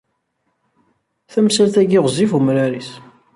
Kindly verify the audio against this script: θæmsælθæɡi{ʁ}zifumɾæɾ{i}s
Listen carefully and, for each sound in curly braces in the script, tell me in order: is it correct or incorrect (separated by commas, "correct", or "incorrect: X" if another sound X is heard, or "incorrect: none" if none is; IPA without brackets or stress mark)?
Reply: correct, correct